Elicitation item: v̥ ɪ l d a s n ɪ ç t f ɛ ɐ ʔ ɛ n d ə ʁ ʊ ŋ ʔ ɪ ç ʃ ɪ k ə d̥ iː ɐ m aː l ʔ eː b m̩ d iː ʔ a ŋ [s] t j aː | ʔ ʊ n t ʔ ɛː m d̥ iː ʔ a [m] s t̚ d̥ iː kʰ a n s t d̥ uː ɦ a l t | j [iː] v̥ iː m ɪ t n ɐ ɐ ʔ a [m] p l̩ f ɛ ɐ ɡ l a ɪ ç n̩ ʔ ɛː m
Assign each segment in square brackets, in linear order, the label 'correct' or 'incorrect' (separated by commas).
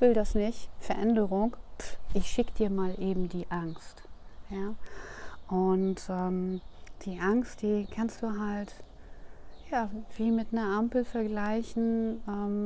correct, incorrect, incorrect, correct